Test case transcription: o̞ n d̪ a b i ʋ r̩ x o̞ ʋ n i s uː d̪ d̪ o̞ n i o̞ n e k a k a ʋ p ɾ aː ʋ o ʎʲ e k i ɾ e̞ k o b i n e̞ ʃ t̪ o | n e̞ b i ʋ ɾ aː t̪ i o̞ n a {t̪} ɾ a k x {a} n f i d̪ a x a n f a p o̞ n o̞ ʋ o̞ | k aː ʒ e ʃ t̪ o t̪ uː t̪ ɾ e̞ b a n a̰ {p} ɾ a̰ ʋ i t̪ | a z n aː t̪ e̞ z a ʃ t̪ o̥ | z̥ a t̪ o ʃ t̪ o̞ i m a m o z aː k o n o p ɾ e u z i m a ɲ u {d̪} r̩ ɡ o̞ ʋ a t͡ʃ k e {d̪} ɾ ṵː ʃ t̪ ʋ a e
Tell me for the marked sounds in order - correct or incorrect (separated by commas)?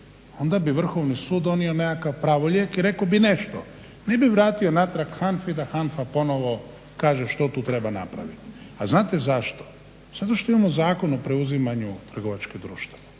correct, correct, correct, incorrect, correct